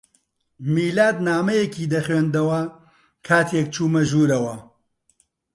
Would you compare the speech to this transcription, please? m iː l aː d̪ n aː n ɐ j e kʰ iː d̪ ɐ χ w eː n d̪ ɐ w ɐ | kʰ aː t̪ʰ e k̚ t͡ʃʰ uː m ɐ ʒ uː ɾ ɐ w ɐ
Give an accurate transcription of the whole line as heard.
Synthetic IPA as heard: m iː l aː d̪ n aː m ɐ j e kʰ iː d̪ ɐ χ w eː n d̪ ɐ w ɐ | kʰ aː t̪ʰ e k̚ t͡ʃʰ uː m ɐ ʒ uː ɾ ɐ w ɐ